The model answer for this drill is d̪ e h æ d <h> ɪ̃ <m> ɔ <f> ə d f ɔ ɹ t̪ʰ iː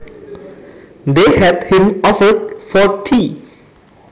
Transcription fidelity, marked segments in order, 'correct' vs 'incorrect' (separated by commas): correct, correct, correct